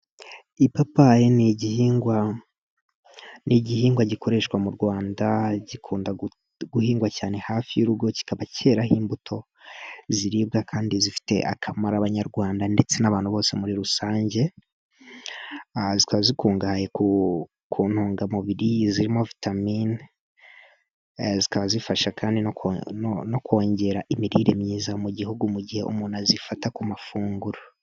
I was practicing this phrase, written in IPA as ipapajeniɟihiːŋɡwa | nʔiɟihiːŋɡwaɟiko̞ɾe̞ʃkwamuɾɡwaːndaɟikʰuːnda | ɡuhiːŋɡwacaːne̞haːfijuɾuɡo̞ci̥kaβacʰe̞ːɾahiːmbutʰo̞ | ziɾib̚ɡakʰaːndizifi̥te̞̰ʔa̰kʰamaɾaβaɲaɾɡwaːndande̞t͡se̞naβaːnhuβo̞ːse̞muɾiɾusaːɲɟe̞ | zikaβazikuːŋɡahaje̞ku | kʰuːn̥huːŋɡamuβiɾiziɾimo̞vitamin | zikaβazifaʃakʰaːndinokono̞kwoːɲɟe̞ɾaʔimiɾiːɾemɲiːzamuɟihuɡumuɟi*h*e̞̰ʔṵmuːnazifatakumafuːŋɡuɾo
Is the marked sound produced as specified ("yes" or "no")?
yes